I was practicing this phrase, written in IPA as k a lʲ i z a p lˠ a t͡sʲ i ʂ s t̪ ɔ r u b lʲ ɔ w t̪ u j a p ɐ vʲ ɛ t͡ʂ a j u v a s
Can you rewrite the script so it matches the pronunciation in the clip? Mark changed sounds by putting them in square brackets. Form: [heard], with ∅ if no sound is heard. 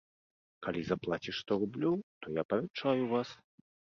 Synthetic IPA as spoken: k a lʲ i z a p lˠ a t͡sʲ i ʂ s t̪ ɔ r u b lʲ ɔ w t̪ [ɔ] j a p ɐ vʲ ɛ t͡ʂ a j u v a s

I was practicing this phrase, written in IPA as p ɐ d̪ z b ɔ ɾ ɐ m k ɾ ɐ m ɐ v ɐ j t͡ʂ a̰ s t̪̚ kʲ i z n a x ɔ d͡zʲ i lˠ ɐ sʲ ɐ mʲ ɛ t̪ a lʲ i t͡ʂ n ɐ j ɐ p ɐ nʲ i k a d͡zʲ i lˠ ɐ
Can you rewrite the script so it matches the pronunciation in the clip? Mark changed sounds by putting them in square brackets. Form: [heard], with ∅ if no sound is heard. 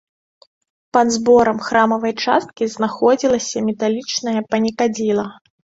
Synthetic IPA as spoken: p ɐ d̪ z b ɔ ɾ ɐ m [x] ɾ [a] m ɐ v ɐ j t͡ʂ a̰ s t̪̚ kʲ i z n a x ɔ d͡zʲ i lˠ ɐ sʲ ɐ mʲ ɛ t̪ a lʲ i t͡ʂ n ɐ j ɐ p ɐ nʲ i k a d͡zʲ i lˠ ɐ

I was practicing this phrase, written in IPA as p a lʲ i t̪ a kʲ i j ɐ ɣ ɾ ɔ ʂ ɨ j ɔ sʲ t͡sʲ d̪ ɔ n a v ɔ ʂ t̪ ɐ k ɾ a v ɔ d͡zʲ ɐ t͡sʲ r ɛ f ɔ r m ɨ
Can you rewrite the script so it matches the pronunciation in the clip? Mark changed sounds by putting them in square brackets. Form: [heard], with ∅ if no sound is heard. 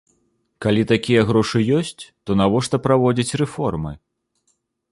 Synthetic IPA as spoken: [k] a lʲ i t̪ a kʲ i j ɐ ɣ ɾ ɔ ʂ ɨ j ɔ sʲ t͡sʲ [t̪] ɔ n a v ɔ ʂ t̪ ɐ [p] ɾ a v ɔ d͡zʲ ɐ t͡sʲ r ɛ f ɔ r m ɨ

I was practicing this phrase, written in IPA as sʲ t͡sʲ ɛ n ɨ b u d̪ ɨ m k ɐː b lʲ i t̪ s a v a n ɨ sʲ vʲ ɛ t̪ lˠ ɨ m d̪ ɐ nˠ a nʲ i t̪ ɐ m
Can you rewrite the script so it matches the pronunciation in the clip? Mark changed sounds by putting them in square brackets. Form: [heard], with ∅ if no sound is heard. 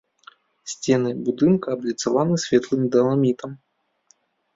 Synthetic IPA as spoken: sʲ t͡sʲ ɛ n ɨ b u d̪ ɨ [n] k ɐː b lʲ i t̪ s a v a n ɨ sʲ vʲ ɛ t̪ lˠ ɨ m d̪ ɐ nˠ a [mʲ] i t̪ ɐ m

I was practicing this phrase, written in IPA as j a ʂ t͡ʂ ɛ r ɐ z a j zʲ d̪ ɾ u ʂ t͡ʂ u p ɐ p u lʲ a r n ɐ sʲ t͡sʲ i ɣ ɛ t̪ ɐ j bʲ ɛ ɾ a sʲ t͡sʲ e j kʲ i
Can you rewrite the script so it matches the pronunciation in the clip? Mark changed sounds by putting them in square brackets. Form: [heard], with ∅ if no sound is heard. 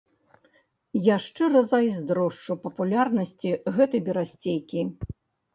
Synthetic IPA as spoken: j a ʂ t͡ʂ ɛ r ɐ z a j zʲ d̪ ɾ [ɔ] ʂ t͡ʂ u p ɐ p u lʲ a r n ɐ sʲ t͡sʲ i ɣ ɛ t̪ ɐ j bʲ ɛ ɾ a sʲ t͡sʲ e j kʲ i

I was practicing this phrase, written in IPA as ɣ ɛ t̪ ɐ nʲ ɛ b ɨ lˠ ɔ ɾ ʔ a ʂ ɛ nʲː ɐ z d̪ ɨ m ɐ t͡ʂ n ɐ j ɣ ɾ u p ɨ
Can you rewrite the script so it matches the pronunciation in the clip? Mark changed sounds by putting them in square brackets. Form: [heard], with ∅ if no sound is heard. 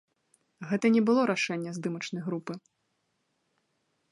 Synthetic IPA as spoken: ɣ ɛ t̪ ɐ nʲ ɛ b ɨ lˠ ɔ ɾ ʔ a ʂ ɛ nʲː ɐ z d̪ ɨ m ɐ t͡ʂ n ɐ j ɣ ɾ u p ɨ

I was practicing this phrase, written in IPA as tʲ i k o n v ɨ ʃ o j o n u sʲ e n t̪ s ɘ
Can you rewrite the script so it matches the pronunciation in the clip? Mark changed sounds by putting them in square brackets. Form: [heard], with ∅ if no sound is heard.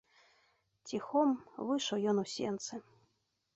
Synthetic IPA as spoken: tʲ i [x] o [m] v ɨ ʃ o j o n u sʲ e n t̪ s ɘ

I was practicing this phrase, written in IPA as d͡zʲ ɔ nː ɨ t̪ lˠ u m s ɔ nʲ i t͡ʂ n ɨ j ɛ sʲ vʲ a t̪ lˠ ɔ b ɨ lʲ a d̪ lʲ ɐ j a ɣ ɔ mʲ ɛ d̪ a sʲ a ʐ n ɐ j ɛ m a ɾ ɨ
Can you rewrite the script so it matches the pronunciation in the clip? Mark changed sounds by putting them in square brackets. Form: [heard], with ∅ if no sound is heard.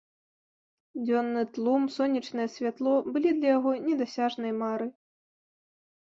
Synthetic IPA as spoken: d͡zʲ ɔ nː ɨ t̪ lˠ u m s ɔ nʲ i t͡ʂ n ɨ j ɛ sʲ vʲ a t̪ lˠ ɔ b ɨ lʲ [i] d̪ lʲ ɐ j a ɣ ɔ [nʲ] ɛ d̪ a sʲ a ʐ n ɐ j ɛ m a ɾ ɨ

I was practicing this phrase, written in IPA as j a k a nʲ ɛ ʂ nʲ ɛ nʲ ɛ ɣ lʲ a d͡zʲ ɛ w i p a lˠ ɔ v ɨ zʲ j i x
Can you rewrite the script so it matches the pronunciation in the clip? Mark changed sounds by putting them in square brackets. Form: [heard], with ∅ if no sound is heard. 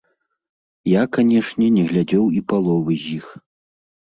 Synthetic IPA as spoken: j a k a nʲ ɛ ʂ nʲ ɛ nʲ ɛ ɣ lʲ a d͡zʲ ɛ w i p a lˠ ɔ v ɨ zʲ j i x

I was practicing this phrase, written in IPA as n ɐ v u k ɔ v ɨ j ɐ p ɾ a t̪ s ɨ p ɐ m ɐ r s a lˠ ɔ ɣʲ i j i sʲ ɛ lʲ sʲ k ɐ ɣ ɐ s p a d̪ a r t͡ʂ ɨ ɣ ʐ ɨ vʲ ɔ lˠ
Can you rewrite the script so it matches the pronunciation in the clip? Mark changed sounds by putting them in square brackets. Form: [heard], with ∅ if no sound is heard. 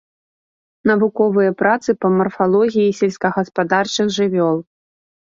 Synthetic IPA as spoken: n ɐ v u k ɔ v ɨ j ɐ p ɾ a t̪ s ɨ p ɐ m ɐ r [f] a lˠ ɔ ɣʲ i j i sʲ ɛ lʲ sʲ k ɐ ɣ ɐ s p a d̪ a r t͡ʂ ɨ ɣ ʐ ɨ vʲ ɔ lˠ

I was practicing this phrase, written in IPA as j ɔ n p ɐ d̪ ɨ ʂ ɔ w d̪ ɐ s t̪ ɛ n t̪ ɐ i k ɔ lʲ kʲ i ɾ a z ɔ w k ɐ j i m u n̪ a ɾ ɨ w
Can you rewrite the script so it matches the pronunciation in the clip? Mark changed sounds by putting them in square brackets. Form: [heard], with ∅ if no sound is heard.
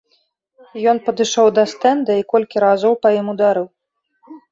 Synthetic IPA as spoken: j ɔ n p ɐ d̪ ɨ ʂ ɔ w d̪ ɐ s t̪ ɛ n [d̪] ɐ i k ɔ lʲ kʲ i ɾ a z ɔ w [p] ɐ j i m u [d̪] a ɾ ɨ w

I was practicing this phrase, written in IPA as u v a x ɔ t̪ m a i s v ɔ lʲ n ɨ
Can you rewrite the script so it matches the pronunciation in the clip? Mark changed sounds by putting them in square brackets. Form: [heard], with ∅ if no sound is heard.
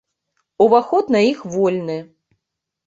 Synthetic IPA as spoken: u v a x ɔ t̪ [n] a i [x] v ɔ lʲ n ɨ

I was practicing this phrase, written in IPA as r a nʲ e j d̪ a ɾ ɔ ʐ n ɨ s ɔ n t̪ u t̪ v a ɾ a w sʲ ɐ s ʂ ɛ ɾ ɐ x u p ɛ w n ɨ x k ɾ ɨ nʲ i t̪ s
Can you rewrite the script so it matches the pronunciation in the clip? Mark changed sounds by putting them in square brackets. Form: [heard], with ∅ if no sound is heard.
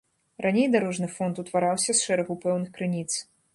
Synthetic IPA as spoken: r a nʲ e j d̪ a ɾ ɔ ʐ n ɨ [f] ɔ n t̪ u t̪ v a ɾ a w sʲ ɐ s ʂ ɛ ɾ ɐ [ɣ] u p ɛ w n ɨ x k ɾ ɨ nʲ i t̪ s

